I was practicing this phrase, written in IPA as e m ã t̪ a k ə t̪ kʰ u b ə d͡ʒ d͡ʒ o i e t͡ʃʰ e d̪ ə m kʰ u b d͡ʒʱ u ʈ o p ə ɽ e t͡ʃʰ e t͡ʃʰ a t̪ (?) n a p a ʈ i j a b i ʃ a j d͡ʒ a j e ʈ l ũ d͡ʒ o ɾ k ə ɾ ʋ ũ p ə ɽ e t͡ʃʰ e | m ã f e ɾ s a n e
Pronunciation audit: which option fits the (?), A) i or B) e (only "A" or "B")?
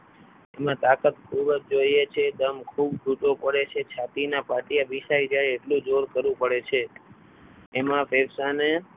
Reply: A